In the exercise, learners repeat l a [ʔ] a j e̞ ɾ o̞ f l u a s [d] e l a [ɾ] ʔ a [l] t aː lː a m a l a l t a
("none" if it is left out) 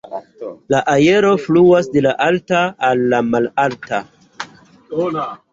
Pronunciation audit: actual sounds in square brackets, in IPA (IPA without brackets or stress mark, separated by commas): ʔ, d, none, l